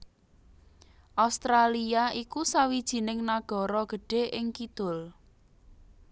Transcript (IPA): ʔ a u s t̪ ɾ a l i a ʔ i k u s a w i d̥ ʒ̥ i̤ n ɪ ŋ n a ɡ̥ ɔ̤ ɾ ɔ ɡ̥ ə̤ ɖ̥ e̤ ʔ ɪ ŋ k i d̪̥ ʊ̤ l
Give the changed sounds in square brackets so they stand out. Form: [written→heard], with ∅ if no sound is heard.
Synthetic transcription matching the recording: ʔ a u s t̪ ɾ a l i a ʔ i k u s a w i d̥ ʒ̥ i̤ n ɪ ŋ n a ɡ̥ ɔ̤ ɾ ɔ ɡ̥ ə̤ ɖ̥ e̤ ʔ ɪ ŋ k i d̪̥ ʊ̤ l